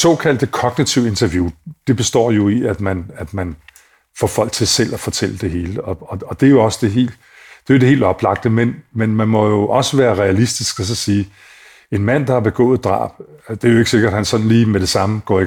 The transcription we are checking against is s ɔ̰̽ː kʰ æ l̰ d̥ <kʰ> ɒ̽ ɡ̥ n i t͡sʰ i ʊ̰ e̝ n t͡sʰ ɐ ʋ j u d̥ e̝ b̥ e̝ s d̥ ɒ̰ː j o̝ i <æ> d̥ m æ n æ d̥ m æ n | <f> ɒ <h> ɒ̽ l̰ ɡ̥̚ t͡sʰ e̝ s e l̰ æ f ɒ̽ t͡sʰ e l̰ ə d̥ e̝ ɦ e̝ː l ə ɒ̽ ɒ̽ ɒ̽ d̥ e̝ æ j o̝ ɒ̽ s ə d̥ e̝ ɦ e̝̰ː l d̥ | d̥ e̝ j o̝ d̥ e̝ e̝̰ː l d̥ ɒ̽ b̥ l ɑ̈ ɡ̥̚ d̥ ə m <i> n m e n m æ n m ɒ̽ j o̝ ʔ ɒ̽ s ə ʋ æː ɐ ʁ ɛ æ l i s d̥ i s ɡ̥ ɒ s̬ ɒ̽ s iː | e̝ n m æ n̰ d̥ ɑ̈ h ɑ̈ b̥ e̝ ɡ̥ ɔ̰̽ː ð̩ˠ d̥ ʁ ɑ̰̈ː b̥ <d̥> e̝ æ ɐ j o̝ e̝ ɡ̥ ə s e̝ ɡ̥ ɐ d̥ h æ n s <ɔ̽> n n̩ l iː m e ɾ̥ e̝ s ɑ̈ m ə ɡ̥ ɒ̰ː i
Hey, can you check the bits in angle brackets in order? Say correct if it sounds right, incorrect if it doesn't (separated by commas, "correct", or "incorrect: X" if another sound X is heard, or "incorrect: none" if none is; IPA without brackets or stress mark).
correct, correct, correct, incorrect: f, incorrect: e, correct, incorrect: ɒ̽